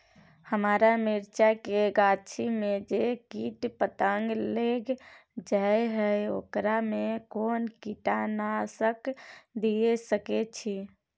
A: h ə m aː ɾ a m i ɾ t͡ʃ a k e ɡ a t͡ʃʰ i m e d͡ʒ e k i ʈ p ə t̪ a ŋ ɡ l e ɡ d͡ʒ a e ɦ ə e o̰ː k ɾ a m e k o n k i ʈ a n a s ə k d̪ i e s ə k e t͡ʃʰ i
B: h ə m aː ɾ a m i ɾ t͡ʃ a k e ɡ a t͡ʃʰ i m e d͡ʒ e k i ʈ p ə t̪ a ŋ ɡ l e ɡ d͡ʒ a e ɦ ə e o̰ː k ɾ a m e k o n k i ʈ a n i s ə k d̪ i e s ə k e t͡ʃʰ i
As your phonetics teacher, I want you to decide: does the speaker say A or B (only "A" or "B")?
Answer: A